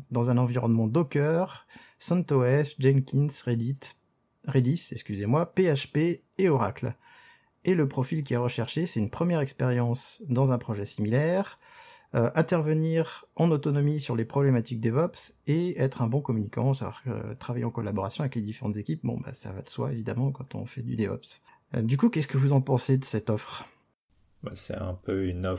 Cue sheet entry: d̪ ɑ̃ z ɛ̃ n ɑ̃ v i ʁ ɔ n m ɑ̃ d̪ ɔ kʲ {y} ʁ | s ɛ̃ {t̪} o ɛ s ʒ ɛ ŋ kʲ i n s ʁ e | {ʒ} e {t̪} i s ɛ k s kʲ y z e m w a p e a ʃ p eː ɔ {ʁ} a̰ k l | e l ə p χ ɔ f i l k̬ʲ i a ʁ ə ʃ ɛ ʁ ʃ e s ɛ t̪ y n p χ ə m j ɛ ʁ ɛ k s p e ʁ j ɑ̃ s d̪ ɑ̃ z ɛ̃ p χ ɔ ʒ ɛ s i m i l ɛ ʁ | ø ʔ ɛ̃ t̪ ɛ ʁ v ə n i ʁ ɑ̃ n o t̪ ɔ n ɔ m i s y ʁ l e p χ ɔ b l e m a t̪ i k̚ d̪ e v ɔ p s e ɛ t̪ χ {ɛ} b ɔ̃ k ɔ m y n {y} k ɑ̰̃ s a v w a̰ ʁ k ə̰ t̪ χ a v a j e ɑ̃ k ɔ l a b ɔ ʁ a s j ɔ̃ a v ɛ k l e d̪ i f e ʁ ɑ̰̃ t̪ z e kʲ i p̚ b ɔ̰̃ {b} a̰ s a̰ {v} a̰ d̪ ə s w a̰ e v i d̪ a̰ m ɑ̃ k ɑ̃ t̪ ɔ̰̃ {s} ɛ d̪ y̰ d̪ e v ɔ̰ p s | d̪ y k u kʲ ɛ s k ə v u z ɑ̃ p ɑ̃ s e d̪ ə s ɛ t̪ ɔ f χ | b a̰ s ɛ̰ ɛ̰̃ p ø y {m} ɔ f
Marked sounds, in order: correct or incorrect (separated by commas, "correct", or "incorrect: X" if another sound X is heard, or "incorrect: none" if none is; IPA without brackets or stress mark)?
incorrect: œ, correct, incorrect: ʁ, incorrect: d̪, correct, incorrect: ɛ̃, incorrect: i, correct, correct, incorrect: f, incorrect: n